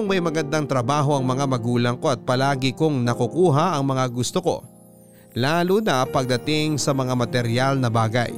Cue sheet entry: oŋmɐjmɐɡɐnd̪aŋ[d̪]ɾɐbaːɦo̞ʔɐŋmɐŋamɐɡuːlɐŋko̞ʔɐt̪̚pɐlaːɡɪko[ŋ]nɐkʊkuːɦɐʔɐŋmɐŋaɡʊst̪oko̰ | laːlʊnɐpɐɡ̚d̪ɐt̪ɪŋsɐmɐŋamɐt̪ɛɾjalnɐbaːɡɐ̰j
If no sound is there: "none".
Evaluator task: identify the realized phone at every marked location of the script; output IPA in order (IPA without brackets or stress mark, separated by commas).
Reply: t̪, ŋ